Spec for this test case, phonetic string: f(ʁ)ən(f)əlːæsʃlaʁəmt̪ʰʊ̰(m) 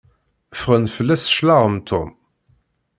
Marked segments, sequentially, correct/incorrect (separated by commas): correct, correct, correct